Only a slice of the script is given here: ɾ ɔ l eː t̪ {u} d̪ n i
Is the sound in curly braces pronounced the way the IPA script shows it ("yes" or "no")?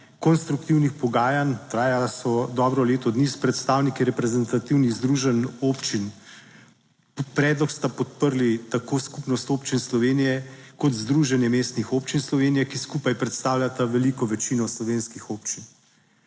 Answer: no